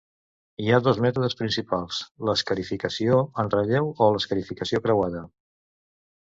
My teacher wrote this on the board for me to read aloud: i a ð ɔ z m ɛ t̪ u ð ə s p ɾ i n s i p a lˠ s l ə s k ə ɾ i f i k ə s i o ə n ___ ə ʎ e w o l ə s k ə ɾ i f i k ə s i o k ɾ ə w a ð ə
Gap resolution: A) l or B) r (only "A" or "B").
B